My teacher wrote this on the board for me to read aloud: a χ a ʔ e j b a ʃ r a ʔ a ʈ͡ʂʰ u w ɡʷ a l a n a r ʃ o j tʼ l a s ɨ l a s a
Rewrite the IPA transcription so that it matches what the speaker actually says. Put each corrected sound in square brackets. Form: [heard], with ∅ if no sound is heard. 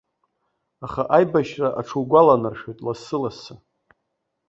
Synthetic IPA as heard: a χ a ʔ [a] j b a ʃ r a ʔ a ʈ͡ʂʰ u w ɡʷ a l a n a r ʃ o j tʼ l a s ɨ l a s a